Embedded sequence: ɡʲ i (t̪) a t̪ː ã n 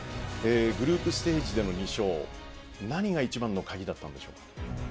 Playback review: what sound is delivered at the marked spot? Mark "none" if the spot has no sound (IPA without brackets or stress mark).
d̪